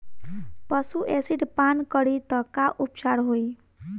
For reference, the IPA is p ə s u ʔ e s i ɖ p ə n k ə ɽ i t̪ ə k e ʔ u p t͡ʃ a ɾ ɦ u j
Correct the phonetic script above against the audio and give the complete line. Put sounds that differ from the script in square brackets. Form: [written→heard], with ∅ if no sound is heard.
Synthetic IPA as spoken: p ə s u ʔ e s i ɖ p [ə→a] n k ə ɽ i t̪ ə k [e→a] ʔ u p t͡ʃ a ɾ ɦ [u→o] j